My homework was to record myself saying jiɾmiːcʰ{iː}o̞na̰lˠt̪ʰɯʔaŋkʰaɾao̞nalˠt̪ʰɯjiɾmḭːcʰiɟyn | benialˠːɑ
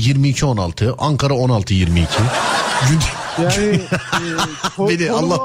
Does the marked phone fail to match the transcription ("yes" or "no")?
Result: yes